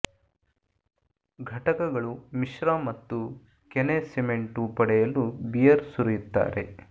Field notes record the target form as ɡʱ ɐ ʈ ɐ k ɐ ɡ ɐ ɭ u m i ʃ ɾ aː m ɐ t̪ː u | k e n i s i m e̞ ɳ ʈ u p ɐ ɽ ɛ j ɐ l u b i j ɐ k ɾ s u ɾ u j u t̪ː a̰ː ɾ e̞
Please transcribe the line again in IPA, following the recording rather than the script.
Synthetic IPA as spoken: ɡʱ ɐ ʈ ɐ k ɐ ɡ ɐ ɭ u m i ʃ ɾ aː m ɐ t̪ː u | k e n e s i m e̞ ɳ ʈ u p ɐ ɽ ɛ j ɐ l u b i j ɐ ɾ s u ɾ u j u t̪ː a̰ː ɾ e̞